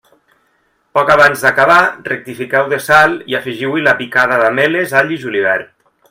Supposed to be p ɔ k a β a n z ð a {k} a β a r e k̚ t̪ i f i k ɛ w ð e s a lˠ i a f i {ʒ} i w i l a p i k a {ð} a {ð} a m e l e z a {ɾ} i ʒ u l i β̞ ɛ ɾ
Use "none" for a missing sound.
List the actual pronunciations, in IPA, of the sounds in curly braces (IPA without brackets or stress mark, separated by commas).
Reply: k, ʒ, ð, ð, ʎ